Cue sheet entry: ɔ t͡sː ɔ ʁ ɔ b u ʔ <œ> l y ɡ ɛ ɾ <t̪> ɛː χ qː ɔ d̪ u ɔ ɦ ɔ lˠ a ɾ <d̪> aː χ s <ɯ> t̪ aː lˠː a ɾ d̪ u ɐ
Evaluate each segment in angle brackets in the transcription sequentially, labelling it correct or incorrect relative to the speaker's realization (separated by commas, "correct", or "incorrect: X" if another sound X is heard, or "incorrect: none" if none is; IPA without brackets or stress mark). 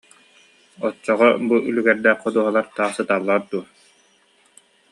incorrect: y, incorrect: d̪, incorrect: t̪, correct